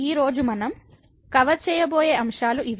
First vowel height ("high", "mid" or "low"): high